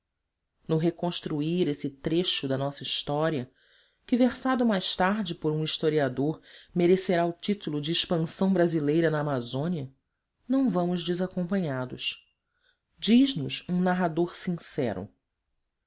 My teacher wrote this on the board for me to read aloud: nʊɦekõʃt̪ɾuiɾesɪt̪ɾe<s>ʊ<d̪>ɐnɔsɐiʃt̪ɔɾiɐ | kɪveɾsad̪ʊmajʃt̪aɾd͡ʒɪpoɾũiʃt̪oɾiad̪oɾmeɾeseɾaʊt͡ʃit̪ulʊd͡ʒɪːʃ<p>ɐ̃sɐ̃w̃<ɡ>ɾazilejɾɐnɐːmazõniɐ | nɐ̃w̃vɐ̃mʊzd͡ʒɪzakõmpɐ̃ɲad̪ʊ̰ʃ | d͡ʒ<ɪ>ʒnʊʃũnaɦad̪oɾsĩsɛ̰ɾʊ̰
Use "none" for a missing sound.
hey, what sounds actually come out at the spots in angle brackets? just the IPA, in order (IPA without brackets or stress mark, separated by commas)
ʃ, d̪, p, b, i